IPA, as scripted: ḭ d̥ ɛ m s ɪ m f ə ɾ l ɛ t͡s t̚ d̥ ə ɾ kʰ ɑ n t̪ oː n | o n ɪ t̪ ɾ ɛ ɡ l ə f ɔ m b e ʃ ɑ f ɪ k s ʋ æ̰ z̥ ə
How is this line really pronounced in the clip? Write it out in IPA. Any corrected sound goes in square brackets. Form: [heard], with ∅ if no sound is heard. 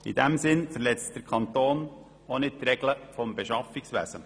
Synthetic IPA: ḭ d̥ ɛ m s ɪ [n] f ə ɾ l ɛ t͡s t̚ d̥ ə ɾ kʰ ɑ n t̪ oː n | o n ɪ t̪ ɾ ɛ ɡ l ə f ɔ m b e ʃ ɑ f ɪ k s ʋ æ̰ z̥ ə